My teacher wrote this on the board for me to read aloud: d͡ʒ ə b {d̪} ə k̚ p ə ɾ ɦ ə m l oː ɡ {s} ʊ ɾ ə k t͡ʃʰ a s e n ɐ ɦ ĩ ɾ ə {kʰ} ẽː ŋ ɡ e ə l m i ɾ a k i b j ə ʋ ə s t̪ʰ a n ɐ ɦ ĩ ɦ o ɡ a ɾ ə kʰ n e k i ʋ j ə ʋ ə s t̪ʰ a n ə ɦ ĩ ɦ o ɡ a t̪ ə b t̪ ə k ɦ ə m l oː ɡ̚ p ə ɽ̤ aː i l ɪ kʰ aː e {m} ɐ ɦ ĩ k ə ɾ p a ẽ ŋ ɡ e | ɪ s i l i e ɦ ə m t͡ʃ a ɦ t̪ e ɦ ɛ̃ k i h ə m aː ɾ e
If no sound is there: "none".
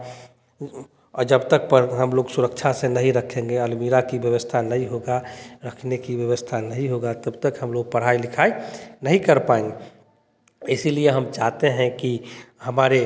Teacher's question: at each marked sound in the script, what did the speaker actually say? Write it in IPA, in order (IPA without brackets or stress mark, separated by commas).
t̪, s, kʰ, n